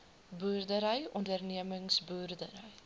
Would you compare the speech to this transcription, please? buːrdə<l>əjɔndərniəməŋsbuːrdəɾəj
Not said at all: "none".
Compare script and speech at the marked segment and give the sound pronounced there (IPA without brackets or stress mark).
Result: ɾ